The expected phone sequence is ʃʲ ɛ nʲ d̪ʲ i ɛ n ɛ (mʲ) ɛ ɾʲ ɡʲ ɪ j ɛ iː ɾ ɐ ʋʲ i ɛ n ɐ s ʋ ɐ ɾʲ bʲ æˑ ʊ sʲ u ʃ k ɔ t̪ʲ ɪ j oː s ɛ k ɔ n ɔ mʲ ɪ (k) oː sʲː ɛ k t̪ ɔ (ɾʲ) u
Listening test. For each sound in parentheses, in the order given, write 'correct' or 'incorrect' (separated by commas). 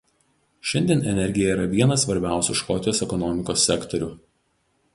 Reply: incorrect, correct, correct